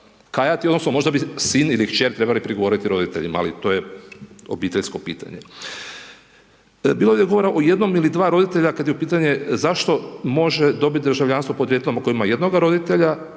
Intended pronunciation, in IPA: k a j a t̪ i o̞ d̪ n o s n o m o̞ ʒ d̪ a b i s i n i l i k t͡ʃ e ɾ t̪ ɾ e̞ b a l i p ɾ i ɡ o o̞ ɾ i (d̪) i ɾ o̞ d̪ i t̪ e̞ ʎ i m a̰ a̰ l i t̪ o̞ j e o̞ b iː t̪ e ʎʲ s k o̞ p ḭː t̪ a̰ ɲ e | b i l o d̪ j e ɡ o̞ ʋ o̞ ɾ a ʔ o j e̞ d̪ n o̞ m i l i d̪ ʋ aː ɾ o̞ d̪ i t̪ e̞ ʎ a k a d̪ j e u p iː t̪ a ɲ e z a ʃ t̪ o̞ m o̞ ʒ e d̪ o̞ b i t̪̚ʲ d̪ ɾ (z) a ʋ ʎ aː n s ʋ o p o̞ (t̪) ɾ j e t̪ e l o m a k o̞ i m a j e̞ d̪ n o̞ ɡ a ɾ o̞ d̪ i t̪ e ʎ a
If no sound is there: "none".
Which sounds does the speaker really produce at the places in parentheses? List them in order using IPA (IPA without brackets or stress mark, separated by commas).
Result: t̪, ʒ, d̪